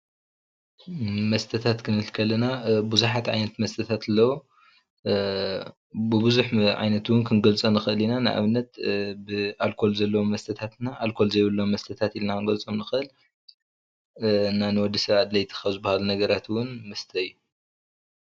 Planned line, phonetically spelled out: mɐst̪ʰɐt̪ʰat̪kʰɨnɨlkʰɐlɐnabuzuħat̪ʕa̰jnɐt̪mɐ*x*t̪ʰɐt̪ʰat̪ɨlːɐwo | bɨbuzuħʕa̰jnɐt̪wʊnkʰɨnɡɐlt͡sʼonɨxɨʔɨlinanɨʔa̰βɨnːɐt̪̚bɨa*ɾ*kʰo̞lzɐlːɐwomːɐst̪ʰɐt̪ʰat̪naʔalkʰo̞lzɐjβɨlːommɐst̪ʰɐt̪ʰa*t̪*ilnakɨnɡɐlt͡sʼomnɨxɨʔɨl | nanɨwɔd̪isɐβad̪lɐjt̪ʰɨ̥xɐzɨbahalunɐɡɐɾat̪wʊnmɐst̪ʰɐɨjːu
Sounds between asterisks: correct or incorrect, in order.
incorrect: s, incorrect: l, correct

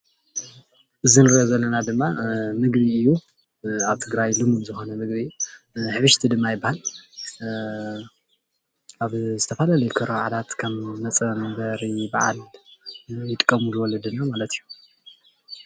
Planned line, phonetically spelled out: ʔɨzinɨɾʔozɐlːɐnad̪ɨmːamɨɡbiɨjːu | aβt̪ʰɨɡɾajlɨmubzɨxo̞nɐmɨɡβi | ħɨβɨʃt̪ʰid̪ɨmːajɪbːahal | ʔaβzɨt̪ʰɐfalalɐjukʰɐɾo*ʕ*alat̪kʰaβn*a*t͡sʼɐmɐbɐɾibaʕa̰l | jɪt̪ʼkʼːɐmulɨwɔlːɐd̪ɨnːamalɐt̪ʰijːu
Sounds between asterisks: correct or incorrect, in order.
correct, incorrect: ɐ

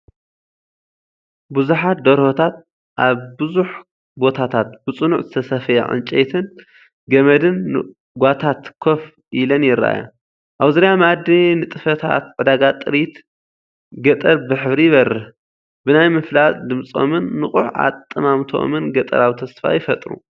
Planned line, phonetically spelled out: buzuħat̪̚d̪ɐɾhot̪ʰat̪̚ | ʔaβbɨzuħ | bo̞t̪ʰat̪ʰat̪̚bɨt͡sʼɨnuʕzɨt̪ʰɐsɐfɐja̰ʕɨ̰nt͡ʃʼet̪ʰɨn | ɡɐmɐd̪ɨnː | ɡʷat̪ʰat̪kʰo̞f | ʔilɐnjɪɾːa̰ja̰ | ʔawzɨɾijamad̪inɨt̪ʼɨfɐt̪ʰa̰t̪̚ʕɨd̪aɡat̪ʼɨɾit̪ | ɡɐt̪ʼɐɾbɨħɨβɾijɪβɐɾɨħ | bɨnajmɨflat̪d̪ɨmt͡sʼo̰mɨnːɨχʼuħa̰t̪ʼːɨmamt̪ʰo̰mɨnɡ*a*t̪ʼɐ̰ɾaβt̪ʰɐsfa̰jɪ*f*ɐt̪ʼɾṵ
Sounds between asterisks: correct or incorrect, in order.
incorrect: ɐ, correct

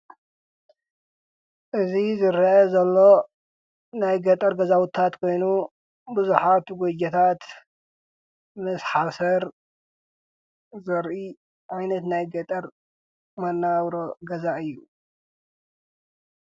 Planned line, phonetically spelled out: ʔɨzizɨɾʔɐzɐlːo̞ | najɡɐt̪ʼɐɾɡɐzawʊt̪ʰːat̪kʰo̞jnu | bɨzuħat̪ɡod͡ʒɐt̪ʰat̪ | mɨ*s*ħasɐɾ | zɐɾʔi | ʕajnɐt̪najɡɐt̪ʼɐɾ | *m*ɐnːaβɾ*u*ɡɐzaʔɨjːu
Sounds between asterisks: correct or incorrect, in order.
correct, correct, incorrect: o

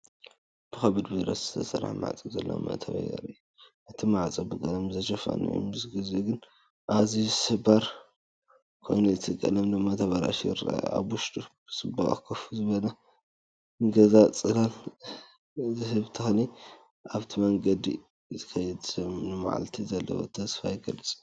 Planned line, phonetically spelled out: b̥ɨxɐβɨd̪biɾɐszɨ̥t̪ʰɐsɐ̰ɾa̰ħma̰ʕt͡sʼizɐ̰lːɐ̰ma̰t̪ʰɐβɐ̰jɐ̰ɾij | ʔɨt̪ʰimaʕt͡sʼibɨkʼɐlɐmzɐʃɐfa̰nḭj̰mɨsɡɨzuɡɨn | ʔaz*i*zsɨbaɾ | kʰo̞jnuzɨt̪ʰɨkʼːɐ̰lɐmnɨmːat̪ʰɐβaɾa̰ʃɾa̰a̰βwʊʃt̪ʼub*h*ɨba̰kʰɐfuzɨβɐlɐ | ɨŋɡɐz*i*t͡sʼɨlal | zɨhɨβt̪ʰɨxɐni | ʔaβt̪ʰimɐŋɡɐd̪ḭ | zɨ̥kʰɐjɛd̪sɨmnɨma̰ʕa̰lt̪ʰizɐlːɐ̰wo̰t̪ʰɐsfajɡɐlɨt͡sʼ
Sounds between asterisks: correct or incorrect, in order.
correct, incorrect: s, incorrect: a

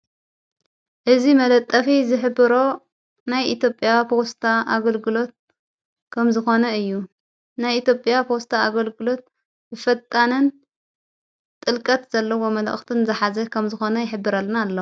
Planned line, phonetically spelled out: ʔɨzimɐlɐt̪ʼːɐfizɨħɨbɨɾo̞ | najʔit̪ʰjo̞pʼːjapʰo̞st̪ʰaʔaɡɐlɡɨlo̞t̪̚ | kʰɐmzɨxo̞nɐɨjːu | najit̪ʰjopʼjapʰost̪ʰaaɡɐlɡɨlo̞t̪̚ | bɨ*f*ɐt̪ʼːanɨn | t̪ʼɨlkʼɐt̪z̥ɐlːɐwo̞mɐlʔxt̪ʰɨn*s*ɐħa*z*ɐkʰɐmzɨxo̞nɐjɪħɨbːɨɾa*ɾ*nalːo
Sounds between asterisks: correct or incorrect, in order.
correct, incorrect: z, correct, incorrect: l

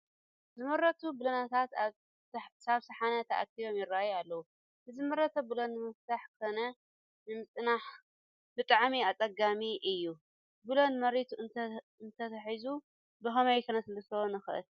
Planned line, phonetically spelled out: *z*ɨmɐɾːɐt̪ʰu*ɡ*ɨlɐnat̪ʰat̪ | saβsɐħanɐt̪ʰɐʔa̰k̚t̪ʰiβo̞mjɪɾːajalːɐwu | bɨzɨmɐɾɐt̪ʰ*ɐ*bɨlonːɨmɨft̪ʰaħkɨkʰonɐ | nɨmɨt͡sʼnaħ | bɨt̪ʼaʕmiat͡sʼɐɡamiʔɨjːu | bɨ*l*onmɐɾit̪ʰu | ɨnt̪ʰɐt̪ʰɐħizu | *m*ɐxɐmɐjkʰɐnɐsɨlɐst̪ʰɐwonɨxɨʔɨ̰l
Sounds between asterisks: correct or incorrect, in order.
correct, incorrect: b, correct, correct, incorrect: b

